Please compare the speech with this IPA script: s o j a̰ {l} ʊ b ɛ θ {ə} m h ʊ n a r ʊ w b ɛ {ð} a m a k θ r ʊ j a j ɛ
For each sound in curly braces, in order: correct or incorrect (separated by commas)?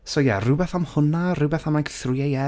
incorrect, incorrect, incorrect